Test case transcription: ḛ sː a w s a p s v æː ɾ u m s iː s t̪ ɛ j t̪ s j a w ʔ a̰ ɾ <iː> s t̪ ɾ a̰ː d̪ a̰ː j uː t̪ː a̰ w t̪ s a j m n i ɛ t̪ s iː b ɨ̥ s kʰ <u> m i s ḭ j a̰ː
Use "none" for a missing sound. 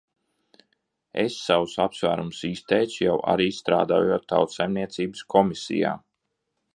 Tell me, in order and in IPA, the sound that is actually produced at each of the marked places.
iː, ɔ

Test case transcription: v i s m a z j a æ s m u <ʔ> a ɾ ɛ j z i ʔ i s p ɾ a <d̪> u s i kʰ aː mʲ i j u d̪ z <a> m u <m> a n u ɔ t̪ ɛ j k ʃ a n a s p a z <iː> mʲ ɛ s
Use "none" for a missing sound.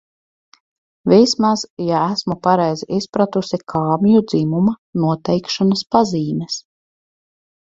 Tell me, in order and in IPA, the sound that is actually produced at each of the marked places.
p, t̪, i, m, iː

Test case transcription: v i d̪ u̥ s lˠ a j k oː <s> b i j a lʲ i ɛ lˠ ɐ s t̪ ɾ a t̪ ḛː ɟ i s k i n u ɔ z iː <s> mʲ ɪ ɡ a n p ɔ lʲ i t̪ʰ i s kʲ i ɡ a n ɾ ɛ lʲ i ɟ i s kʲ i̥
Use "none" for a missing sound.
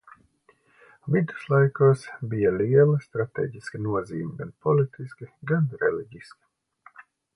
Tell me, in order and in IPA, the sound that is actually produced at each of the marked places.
s, none

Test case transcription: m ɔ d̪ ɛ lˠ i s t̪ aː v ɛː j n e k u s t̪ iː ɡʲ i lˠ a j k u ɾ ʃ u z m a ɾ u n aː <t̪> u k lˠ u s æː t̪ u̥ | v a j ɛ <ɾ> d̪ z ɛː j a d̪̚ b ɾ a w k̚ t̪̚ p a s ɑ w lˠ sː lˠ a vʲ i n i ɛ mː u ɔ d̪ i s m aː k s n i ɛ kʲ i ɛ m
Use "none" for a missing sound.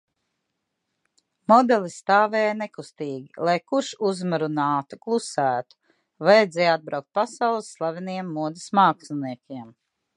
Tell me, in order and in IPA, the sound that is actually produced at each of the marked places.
t̪, none

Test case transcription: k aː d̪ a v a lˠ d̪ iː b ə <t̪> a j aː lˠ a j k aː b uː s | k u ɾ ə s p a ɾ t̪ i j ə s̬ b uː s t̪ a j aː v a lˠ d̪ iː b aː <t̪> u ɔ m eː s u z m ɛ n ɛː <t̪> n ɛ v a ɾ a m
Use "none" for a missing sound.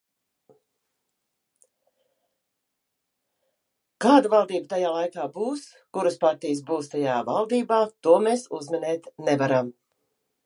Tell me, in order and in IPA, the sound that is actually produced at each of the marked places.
t̪, t̪, t̪

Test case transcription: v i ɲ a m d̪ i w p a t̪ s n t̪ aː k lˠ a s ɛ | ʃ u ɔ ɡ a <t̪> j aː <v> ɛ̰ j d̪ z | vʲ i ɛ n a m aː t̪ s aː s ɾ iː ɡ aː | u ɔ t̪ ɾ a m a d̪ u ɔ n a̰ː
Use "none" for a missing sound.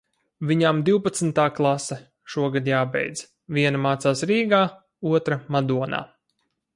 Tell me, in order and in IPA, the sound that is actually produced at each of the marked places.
d̪, b

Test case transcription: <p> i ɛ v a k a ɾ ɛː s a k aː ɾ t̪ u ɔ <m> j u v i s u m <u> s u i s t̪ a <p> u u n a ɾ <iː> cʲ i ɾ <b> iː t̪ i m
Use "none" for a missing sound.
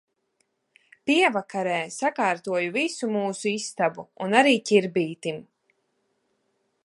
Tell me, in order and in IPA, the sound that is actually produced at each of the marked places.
p, none, uː, b, iː, b

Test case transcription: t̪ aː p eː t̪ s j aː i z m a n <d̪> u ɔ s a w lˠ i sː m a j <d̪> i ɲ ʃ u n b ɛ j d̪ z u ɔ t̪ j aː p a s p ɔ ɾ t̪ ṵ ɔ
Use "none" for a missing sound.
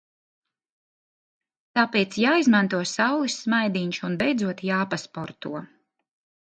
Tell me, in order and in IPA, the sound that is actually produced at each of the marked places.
t̪, d̪

